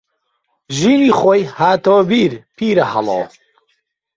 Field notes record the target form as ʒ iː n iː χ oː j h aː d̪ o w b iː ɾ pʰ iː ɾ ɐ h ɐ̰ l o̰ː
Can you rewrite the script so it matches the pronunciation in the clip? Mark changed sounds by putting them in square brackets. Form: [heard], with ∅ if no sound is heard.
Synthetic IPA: ʒ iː n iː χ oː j h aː [t̪] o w b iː ɾ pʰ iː ɾ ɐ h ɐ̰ l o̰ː